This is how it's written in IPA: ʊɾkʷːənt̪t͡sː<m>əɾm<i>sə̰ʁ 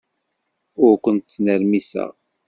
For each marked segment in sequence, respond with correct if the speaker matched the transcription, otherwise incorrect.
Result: incorrect: n, correct

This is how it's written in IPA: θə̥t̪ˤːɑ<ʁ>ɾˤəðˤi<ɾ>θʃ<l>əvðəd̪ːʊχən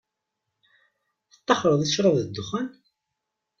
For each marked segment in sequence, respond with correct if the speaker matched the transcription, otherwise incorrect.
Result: incorrect: χ, incorrect: none, incorrect: ɾ

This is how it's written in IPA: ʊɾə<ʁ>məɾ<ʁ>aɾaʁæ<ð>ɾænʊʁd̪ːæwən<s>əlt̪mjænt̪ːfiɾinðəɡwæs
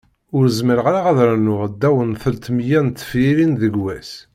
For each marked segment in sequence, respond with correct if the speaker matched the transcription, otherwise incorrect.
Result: incorrect: z, correct, correct, incorrect: θ

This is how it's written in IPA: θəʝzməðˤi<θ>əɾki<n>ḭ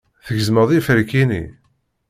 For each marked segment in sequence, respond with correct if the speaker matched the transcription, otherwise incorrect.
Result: incorrect: f, correct

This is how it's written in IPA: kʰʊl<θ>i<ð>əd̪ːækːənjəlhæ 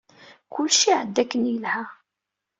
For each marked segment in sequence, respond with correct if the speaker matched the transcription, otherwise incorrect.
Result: incorrect: ʃ, incorrect: ʕ

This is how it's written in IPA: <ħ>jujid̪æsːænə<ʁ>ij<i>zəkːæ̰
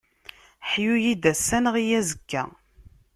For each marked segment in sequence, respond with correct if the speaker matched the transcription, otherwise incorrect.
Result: correct, correct, incorrect: æ

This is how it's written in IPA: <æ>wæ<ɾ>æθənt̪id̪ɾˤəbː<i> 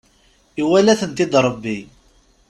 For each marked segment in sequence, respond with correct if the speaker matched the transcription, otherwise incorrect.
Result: incorrect: i, incorrect: l, correct

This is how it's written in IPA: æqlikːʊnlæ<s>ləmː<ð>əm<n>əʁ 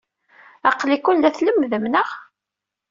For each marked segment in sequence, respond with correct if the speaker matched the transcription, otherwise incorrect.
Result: incorrect: θ, correct, correct

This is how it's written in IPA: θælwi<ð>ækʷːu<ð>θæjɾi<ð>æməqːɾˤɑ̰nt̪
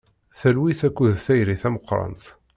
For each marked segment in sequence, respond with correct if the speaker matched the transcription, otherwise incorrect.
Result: incorrect: θ, correct, incorrect: θ

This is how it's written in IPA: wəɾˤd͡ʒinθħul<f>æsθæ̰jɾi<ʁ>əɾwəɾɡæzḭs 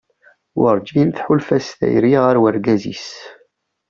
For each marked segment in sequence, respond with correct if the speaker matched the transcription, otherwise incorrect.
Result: correct, correct

